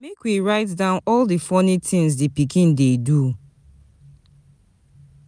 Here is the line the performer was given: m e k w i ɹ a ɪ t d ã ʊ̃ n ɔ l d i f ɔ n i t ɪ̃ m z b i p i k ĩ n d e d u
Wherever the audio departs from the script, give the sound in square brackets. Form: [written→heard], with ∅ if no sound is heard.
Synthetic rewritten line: m e k w i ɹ a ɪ t d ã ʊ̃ n ɔ l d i f ɔ n i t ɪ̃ [m→ŋ] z [b→d] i p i k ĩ n d e d u